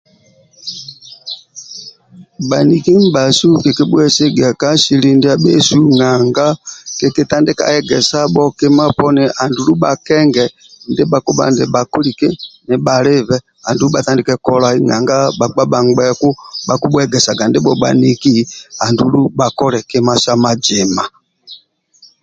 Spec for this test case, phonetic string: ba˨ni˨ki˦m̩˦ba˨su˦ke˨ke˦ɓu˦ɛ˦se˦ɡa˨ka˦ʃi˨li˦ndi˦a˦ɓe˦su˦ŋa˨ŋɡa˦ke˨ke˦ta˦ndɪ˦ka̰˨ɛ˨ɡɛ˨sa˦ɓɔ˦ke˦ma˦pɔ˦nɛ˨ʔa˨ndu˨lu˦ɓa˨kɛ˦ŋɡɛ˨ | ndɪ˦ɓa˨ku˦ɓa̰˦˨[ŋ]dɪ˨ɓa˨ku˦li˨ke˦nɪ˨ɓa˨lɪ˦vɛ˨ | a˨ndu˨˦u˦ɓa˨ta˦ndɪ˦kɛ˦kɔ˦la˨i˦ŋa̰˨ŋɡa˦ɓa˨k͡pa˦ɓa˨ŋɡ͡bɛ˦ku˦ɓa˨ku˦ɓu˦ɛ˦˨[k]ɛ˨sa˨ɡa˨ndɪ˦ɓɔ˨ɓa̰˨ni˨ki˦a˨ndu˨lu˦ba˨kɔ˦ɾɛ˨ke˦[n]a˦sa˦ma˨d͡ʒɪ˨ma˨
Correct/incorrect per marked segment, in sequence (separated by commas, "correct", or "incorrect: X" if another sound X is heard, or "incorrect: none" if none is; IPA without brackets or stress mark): incorrect: n, incorrect: ɡ, incorrect: m